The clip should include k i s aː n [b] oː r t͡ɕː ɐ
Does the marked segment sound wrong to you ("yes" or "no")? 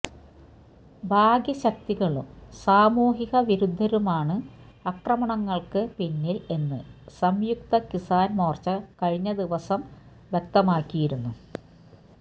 yes